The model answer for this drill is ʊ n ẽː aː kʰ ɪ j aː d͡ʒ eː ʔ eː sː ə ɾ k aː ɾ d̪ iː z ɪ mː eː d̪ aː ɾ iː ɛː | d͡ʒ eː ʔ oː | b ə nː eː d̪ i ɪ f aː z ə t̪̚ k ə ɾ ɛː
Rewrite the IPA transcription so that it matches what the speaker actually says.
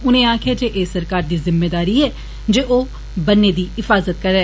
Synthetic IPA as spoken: ʊ n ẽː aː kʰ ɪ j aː d͡ʒ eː ʔ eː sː ə ɾ k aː ɾ d̪ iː z ɪ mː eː d̪ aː ɾ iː ɛː | d͡ʒ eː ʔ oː | b ə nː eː d̪ iː ɪ f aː z ə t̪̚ k ə ɾ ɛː